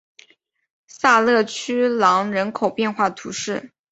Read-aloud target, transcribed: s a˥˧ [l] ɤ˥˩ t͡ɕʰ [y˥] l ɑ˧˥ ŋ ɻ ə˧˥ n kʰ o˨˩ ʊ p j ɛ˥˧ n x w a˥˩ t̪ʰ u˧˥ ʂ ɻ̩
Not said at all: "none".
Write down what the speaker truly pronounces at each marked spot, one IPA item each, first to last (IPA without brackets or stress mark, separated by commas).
l, y˥